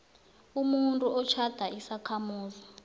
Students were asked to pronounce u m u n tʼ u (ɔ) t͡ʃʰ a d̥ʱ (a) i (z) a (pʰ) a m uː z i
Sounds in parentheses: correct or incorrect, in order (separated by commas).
correct, correct, incorrect, incorrect